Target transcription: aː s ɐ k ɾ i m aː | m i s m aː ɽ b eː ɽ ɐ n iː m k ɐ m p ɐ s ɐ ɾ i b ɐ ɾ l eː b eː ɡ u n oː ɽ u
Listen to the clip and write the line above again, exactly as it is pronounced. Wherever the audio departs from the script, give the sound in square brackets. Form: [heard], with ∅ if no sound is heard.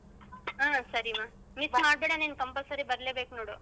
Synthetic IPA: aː s ɐ [∅] ɾ i m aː | m i s m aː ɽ b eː ɽ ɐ n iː [n] k ɐ m p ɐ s ɐ ɾ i b ɐ ɾ l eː b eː [k] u n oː ɽ u